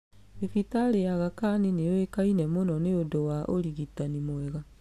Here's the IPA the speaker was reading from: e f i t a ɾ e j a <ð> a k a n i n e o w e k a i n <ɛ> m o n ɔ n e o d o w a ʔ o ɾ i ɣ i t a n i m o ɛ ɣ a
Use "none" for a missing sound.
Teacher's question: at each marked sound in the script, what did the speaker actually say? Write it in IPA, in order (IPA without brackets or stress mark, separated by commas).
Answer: ɣ, ɛ